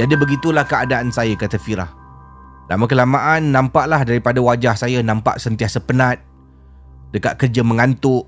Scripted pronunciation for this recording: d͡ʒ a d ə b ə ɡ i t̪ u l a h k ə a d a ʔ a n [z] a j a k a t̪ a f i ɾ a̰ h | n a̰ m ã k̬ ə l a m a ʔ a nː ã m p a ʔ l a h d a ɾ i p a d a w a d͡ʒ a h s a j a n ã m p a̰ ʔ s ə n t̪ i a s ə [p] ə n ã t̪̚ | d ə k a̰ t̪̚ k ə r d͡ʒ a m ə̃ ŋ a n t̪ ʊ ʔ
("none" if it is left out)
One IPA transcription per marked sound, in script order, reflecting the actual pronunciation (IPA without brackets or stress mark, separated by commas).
s, p